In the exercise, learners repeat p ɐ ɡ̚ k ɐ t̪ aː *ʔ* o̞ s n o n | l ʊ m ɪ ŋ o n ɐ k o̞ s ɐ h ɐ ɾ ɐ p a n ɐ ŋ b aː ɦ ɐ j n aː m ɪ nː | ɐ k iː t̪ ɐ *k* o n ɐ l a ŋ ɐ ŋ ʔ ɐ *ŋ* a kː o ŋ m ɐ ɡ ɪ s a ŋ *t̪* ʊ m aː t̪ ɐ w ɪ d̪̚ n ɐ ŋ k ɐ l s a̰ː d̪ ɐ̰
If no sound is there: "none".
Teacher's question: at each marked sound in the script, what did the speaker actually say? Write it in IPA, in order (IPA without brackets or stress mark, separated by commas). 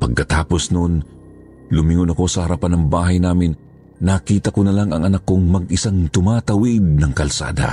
p, k, n, t̪